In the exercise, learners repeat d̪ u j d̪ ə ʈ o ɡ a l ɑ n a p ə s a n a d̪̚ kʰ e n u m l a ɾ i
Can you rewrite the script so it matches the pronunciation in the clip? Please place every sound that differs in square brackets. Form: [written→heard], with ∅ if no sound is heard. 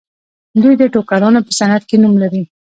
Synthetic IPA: d̪ u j d̪ ə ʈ o [ɡ→k] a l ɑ n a p ə s a n a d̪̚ [kʰ→k] e n u m l a ɾ i